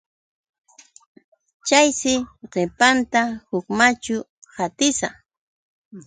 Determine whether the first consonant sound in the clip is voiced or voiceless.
voiceless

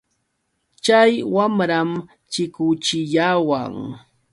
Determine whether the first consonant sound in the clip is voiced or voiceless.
voiceless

